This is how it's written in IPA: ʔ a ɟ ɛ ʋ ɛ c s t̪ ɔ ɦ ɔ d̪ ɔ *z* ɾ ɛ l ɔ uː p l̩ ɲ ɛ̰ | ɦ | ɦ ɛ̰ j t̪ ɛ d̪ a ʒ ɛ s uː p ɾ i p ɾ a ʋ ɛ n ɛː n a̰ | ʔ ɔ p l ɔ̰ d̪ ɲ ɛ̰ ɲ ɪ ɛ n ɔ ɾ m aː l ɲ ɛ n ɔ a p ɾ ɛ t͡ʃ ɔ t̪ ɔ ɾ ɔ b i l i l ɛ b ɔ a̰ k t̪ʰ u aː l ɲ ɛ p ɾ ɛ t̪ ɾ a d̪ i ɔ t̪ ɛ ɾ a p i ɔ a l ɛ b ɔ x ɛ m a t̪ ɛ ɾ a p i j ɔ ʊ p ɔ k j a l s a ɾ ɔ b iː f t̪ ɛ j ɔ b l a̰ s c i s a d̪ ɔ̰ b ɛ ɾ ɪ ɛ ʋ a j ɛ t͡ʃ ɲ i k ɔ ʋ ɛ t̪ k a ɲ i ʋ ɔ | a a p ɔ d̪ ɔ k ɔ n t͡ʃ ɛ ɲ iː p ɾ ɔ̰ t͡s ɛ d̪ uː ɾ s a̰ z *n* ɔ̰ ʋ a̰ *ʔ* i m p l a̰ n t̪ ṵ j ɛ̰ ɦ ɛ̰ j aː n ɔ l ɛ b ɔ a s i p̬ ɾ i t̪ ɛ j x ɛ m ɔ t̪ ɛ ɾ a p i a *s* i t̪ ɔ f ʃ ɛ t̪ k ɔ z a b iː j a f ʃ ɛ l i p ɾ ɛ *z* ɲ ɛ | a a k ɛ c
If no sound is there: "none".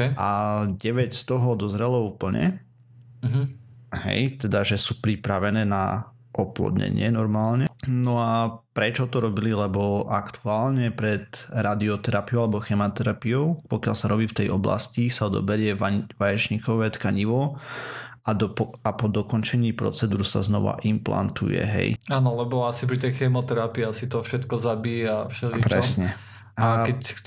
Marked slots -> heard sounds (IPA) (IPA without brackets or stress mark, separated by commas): z, n, ʔ, s, s